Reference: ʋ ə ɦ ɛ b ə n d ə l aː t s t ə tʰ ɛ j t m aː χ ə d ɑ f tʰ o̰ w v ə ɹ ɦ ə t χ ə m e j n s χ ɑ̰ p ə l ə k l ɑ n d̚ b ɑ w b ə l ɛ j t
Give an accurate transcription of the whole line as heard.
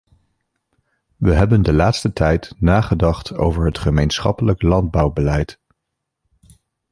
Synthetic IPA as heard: ʋ ə ɦ ɛ b ə n d ə l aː t s t ə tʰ ɛ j t n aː χ ə d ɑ χ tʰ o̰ w v ə ɹ ɦ ə t χ ə m e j n s χ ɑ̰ p ə l ə k l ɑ n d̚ b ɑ w b ə l ɛ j t